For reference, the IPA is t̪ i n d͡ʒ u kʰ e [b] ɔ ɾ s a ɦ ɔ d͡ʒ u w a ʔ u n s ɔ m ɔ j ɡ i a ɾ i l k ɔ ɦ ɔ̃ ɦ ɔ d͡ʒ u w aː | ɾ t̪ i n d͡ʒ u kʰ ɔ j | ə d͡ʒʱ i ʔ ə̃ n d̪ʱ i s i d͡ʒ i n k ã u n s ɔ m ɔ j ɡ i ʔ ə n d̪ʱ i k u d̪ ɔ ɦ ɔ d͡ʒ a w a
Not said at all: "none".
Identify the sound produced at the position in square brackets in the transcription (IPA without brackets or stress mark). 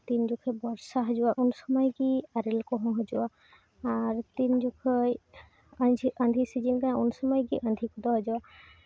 b